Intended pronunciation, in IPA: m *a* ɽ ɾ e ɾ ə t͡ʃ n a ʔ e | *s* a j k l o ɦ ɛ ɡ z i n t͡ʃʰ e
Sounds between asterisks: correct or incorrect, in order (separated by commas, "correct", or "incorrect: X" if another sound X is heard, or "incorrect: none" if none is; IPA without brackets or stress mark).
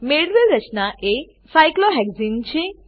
incorrect: e, correct